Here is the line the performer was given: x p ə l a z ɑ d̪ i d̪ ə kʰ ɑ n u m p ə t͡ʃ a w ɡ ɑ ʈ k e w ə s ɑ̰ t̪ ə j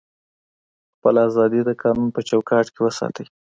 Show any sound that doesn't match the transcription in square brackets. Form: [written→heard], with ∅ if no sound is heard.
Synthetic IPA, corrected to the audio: x p ə l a z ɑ d̪ i d̪ ə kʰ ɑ n u [m→n] p ə t͡ʃ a w [ɡ→k] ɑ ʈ k e w ə s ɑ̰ t̪ ə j